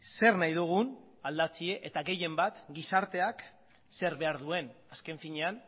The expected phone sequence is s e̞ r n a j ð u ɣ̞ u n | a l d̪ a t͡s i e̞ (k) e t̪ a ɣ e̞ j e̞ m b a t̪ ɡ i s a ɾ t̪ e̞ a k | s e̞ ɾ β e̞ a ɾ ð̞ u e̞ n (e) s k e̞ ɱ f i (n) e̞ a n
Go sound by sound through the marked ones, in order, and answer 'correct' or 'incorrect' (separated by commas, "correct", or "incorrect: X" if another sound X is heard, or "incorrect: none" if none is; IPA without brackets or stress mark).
incorrect: ʔ, incorrect: a, incorrect: ɲ